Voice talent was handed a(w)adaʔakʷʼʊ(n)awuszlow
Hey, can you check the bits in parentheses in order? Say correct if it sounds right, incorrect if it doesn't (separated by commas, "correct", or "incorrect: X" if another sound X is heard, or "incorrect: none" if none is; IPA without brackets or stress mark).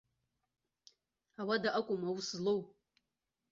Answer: correct, incorrect: m